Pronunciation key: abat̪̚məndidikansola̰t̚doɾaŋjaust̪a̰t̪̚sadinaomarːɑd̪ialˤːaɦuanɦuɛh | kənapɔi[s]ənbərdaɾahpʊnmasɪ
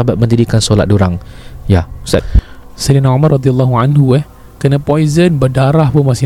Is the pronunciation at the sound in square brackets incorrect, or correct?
incorrect